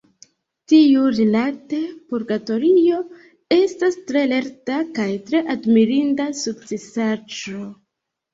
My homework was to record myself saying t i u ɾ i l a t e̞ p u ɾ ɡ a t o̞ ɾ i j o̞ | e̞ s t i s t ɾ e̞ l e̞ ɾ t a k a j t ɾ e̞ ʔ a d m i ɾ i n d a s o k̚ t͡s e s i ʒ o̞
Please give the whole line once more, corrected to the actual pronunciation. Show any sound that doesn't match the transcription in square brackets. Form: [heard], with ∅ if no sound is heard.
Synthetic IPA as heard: t i u ɾ i l a t e̞ p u ɾ ɡ a t o̞ ɾ i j o̞ | e̞ s t [a] s t ɾ e̞ l e̞ ɾ t a k a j t ɾ e̞ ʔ a d m i ɾ i n d a s [u] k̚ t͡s e s [a] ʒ o̞